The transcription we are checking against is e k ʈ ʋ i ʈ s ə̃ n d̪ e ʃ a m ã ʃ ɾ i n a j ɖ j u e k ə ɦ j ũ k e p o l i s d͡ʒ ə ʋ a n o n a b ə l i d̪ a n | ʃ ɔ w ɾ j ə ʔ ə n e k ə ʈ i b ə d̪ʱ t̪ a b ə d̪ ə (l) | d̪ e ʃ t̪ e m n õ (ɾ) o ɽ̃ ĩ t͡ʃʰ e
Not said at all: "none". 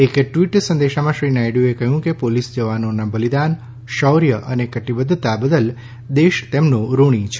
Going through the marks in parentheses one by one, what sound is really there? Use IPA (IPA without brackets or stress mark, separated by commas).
l, ɾ